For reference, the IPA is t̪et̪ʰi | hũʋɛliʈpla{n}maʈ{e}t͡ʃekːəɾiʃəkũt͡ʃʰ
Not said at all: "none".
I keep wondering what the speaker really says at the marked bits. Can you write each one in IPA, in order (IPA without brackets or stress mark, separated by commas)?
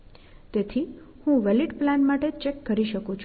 n, e